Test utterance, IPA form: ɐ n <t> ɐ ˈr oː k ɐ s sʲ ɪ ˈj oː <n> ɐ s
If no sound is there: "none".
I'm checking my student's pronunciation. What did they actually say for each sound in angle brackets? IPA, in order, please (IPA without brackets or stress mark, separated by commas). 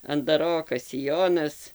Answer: d, n